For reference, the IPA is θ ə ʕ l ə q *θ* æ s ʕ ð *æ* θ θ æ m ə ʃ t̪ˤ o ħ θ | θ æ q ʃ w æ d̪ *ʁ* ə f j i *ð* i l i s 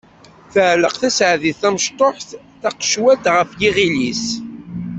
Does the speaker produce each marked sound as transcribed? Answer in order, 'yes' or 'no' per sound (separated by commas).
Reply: yes, no, yes, no